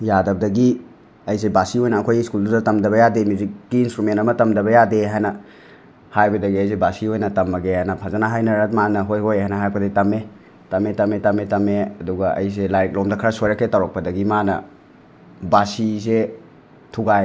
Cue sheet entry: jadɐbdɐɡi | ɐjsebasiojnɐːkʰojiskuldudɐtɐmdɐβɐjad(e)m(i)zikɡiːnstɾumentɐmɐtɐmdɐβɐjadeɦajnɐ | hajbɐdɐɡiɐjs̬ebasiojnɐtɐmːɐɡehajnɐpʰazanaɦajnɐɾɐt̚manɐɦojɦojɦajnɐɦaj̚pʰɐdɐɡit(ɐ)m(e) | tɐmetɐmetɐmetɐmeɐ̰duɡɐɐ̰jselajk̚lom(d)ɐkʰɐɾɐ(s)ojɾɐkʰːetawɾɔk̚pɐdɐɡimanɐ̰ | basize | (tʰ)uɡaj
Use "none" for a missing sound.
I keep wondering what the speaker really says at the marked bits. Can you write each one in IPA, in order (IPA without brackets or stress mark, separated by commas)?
e, i, ɐ, e, d, s, tʰ